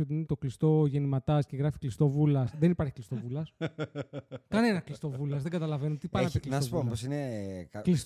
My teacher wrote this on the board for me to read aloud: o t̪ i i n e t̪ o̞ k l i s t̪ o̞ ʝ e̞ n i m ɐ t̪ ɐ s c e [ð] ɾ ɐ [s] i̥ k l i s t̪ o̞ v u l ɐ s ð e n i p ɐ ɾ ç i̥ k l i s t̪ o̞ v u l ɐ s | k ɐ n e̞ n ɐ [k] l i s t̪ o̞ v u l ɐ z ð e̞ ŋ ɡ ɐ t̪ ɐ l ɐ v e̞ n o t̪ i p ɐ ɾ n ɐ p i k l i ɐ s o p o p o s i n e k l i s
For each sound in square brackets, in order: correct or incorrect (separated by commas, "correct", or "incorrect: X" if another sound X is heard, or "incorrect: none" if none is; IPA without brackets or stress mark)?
incorrect: ɣ, incorrect: f, correct